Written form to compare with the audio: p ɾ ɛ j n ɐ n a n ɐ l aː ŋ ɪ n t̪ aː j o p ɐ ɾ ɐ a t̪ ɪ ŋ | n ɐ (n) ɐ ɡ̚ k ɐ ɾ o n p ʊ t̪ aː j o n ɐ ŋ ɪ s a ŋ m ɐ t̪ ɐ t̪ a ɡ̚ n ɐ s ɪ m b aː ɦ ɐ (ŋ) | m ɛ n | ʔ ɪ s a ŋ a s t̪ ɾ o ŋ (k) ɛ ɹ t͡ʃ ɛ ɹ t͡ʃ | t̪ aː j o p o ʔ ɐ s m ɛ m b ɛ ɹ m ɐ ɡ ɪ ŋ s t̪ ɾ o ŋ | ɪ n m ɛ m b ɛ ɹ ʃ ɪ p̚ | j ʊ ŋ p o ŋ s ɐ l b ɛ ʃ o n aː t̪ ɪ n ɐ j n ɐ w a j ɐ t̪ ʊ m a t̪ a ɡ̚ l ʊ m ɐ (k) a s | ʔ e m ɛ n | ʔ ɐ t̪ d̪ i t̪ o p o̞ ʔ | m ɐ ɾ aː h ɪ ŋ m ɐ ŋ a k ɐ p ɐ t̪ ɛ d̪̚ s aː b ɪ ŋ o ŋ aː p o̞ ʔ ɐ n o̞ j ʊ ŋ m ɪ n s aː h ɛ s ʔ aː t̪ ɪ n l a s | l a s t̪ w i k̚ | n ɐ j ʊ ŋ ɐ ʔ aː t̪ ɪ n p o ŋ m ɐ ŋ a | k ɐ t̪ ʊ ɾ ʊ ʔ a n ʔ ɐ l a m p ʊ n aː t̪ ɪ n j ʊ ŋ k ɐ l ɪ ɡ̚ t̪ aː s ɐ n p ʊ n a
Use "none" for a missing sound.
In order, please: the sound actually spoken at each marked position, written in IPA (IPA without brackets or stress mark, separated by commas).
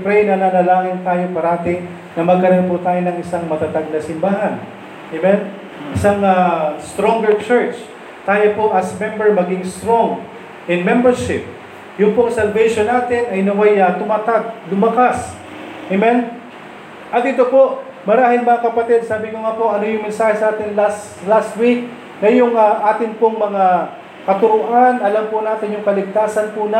m, n, ɡ, k